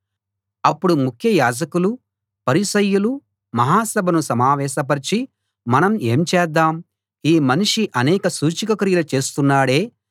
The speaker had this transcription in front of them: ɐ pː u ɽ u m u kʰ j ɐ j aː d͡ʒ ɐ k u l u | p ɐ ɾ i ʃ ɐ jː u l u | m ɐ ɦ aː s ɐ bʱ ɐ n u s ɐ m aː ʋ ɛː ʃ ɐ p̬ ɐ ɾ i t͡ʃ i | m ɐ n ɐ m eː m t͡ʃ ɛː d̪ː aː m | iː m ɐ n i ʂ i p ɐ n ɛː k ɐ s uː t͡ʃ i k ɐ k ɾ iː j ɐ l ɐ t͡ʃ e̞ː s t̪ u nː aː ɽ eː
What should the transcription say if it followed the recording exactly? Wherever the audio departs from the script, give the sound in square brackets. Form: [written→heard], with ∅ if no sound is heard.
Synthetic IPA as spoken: ɐ pː u ɽ u m u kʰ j ɐ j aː d͡ʒ ɐ k u l u | p ɐ ɾ i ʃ ɐ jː u l u | m ɐ ɦ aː s ɐ bʱ ɐ n u s ɐ m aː ʋ ɛː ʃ ɐ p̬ ɐ ɾ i t͡ʃ i | m ɐ n ɐ m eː m t͡ʃ ɛː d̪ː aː m | iː m ɐ n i ʂ i [p→ʔ] ɐ n ɛː k ɐ s uː t͡ʃ i k ɐ k ɾ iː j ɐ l ɐ t͡ʃ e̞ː s t̪ u nː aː ɽ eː